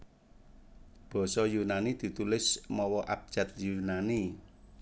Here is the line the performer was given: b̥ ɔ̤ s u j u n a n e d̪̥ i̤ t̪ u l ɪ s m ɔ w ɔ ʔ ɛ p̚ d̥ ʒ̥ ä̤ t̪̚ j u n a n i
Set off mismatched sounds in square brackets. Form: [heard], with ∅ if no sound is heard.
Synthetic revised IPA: b̥ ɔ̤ s [ɔ] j u n a n [i] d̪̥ i̤ t̪ u l ɪ s m ɔ w ɔ ʔ [a] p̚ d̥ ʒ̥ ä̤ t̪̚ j u n a n i

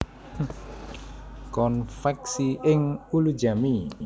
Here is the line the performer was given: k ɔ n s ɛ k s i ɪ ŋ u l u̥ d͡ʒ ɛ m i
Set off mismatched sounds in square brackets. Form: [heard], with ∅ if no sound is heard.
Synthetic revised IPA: k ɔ n [f] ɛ k s i ɪ ŋ u l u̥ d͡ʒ [a] m i

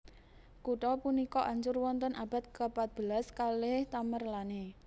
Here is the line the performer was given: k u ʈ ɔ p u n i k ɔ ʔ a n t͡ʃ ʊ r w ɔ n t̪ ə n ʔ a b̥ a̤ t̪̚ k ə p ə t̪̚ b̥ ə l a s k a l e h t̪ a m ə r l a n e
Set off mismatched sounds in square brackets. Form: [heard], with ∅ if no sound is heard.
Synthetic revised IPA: k u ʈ ɔ p u n i k ɔ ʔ a [ɲ] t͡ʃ ʊ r w ɔ n t̪ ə n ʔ a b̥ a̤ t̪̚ k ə p [a] t̪̚ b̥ ə l a s k a l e h t̪ a m ə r l a n e

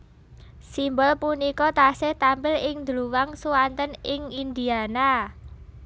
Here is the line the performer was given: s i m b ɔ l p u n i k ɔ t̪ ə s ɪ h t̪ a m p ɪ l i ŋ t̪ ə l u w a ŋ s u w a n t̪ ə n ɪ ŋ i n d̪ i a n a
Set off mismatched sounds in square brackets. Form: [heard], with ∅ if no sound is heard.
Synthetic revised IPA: s i m b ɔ l p u n i k ɔ t̪ [a] s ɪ h t̪ a m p ɪ l [ɪ] ŋ [d̪] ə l u w a ŋ s u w a n t̪ ə n ɪ ŋ i n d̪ i a n a

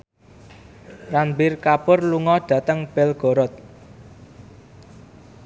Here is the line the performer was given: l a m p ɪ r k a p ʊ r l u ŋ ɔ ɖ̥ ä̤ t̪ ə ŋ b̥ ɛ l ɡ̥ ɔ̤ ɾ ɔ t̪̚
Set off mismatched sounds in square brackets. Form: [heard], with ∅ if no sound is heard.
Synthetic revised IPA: [r] a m [b] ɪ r k a p ʊ r l u ŋ ɔ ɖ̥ ä̤ t̪ ə ŋ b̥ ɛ l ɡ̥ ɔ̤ ɾ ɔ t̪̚

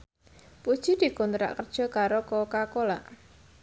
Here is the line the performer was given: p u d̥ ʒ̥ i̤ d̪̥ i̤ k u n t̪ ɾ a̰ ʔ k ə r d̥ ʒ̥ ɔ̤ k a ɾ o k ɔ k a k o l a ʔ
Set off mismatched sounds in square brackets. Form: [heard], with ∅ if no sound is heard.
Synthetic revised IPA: p u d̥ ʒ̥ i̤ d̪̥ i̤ k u n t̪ ɾ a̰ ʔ k ə r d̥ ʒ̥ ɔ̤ k a ɾ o k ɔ k a k o l a ʔ

